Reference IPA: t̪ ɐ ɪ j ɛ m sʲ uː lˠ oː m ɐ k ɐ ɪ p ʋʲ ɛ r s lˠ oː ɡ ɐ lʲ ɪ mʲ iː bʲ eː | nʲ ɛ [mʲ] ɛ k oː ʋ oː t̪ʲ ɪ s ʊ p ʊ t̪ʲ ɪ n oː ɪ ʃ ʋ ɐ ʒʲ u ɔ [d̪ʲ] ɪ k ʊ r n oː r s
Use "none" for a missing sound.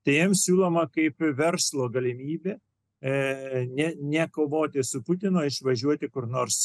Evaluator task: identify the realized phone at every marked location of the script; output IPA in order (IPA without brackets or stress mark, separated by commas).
nʲ, t̪ʲ